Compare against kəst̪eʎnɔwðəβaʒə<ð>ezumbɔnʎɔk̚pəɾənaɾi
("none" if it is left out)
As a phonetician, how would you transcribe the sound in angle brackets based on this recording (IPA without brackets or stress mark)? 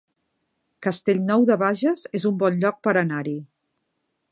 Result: z